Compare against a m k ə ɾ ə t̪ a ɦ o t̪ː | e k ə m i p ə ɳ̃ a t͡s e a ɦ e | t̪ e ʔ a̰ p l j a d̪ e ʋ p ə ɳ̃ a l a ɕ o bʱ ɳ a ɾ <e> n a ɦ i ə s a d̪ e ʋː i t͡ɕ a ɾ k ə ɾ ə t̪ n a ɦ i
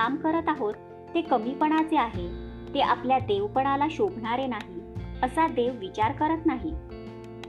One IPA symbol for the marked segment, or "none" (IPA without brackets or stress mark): e